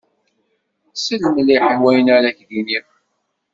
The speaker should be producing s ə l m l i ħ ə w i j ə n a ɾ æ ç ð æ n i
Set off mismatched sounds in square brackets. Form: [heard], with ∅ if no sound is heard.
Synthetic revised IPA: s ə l m l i ħ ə w [æ] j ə n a ɾ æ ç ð [i] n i